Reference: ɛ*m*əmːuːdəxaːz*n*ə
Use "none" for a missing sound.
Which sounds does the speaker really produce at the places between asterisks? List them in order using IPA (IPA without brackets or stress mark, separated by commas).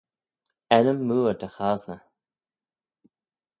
n, n